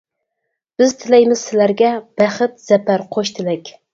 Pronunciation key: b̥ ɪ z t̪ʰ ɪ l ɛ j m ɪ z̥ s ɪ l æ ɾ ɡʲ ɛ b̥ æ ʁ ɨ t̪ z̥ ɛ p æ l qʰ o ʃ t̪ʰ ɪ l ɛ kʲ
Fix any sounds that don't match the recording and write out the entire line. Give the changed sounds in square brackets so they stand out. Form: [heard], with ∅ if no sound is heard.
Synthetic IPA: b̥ ɪ z t̪ʰ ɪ l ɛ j m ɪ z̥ s ɪ l æ ɾ ɡʲ ɛ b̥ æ [χ] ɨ t̪ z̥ ɛ p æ [ɾ] qʰ o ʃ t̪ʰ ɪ l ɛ kʲ